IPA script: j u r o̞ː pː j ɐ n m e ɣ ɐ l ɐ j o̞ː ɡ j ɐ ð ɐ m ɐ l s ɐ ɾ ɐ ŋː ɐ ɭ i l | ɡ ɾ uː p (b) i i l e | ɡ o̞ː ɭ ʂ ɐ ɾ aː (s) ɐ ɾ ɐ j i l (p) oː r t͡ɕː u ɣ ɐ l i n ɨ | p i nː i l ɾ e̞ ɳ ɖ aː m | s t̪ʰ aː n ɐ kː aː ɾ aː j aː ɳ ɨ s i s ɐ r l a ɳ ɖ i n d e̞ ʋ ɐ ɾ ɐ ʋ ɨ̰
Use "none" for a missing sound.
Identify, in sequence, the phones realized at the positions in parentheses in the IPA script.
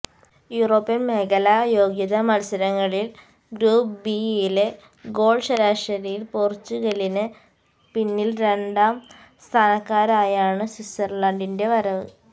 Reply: b, ʂ, p

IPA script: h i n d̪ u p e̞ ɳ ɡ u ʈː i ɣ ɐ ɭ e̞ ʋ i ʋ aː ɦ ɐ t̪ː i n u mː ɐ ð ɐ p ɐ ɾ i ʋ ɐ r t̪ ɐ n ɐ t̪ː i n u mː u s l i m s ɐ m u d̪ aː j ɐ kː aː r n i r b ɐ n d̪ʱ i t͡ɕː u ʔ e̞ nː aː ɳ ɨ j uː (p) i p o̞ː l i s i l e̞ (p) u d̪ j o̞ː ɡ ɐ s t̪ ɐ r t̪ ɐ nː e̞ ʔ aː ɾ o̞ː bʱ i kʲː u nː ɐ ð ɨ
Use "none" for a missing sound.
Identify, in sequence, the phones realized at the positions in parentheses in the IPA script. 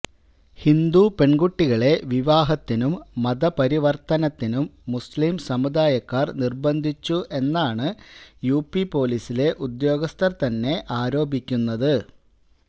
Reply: p, ʔ

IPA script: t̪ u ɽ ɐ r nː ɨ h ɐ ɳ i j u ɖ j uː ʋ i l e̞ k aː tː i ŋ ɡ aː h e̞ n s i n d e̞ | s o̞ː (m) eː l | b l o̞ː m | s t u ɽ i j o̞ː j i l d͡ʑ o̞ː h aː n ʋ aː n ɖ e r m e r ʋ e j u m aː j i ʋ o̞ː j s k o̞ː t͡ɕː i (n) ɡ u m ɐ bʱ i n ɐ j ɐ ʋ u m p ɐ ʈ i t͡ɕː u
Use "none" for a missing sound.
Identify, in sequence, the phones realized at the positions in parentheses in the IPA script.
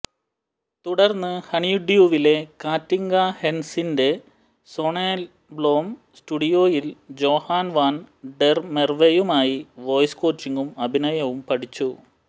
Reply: ɳ, ŋ

